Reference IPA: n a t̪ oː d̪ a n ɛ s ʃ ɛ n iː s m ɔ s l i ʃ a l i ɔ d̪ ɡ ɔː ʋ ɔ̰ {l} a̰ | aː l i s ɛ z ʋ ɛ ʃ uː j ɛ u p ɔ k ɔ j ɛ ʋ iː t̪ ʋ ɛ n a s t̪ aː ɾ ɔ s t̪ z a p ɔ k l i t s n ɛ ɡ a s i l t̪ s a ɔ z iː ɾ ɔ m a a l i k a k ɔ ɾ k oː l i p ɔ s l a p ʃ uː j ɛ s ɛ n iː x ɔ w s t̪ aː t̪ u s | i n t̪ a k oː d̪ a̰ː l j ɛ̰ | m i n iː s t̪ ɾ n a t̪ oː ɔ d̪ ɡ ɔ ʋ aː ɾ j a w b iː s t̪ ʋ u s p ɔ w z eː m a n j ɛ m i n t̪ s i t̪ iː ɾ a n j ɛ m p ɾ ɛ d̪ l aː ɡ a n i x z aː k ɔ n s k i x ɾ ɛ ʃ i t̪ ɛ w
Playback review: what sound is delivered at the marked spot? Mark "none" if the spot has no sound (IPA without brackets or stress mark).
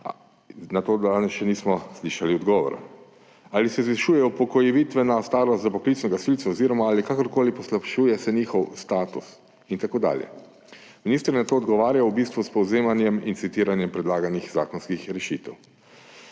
ɾ